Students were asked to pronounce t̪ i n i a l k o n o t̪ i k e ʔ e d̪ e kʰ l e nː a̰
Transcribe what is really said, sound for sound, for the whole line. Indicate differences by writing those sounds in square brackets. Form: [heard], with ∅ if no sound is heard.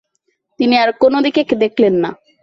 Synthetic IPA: t̪ i n i a [ɾ] k o n o [d̪] i k e [k] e d̪ e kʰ l e nː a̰